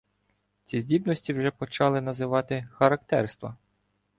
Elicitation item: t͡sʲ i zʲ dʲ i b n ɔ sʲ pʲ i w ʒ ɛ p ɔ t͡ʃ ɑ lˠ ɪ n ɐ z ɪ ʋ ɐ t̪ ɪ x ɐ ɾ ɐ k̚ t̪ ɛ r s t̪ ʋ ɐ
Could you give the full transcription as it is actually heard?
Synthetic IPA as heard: t͡sʲ i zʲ dʲ i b n ɔ sʲ tʲ i w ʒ ɛ p ɔ t͡ʃ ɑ lˠ ɪ n ɐ z ɪ ʋ ɑ t̪ ɪ x ɐ ɾ ɐ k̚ t̪ ɛ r s t̪ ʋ ɐ